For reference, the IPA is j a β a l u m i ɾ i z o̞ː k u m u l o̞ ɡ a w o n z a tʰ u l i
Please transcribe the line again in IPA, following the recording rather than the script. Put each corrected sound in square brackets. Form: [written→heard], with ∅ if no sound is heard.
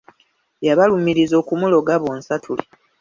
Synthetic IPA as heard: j a β a l u m i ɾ i z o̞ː k u m u l o̞ ɡ a [w→β] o n [z→s] a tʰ u l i